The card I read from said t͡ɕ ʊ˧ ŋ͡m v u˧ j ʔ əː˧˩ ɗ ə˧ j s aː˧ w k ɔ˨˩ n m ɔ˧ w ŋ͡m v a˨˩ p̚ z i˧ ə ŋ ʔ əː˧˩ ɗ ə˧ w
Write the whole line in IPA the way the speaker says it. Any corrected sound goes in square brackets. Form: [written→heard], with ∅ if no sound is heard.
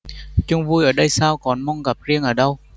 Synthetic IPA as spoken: t͡ɕ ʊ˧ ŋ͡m v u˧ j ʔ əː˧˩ ɗ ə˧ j s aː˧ w k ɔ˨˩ n m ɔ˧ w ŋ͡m [v→ɣ] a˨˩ p̚ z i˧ ə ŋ ʔ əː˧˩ ɗ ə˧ w